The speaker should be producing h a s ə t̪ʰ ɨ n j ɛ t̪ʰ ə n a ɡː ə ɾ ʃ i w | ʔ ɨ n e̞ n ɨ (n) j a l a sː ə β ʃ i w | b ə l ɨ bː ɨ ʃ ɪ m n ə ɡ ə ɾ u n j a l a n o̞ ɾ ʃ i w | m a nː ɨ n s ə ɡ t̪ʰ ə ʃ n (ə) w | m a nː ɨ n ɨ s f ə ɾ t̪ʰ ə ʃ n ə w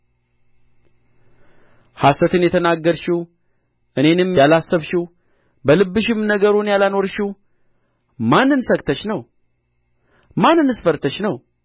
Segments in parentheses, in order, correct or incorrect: incorrect, correct

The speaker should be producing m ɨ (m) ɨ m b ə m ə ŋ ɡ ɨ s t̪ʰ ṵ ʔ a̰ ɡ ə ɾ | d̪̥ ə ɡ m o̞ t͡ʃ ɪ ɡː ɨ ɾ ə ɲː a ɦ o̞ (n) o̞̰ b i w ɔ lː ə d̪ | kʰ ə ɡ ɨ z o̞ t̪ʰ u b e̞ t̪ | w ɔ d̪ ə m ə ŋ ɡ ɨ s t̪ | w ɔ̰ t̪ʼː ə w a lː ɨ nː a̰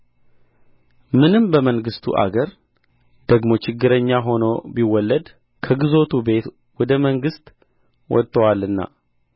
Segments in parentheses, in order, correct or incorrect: incorrect, correct

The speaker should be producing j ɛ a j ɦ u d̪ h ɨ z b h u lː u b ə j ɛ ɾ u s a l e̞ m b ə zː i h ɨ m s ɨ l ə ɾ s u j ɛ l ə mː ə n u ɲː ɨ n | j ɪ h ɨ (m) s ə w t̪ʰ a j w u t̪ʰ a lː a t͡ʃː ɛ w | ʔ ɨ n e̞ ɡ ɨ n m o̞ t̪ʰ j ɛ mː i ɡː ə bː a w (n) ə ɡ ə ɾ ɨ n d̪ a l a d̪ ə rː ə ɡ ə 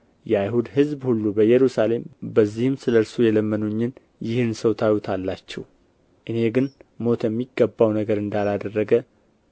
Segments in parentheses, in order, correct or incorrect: incorrect, correct

